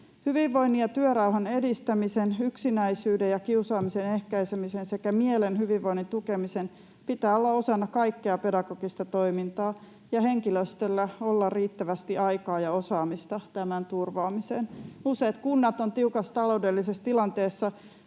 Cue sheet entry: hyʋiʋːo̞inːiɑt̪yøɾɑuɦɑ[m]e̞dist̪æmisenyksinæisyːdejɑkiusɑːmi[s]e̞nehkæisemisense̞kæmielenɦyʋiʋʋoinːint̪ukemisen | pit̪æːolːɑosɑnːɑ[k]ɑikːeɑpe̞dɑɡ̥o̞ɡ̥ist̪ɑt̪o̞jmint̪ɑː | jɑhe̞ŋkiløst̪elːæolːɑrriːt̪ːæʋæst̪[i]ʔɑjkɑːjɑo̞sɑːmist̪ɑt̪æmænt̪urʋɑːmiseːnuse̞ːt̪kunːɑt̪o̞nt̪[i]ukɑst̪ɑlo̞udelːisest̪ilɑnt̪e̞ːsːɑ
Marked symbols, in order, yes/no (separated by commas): no, yes, yes, yes, yes